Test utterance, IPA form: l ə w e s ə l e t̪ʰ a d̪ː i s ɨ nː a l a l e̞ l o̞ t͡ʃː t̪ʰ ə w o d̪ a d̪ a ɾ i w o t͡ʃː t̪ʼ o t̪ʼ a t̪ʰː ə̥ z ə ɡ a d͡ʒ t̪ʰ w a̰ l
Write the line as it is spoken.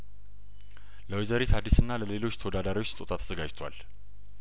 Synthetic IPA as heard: l ə w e z ə ɾ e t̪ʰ a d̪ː i s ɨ nː a l ə l e̞ l o̞ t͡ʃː t̪ʰ ə w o d̪ a d̪ a ɾ i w o t͡ʃː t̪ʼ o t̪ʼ a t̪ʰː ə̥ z ə ɡ a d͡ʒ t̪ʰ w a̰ l